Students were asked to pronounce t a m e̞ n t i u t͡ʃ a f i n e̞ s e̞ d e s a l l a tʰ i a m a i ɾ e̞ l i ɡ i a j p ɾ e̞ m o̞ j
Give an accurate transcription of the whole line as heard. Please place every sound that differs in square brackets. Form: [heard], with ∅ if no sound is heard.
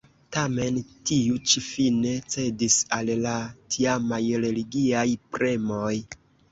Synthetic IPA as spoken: t a m e̞ n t i u t͡ʃ [i] f i n e̞ [t͡s] e̞ d [i] s a l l a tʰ i a m a [j] ɾ e̞ l i ɡ i a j p ɾ e̞ m o̞ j